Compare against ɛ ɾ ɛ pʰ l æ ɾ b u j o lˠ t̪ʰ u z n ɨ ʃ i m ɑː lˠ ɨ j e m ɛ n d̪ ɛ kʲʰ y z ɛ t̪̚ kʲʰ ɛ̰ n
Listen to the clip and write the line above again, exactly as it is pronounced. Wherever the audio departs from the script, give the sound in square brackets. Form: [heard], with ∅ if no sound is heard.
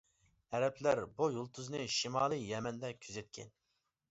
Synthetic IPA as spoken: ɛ ɾ ɛ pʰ l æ ɾ b u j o lˠ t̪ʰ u z n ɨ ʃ i m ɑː lˠ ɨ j [ɛ] m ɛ n d̪ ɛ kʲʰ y z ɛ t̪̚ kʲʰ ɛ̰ n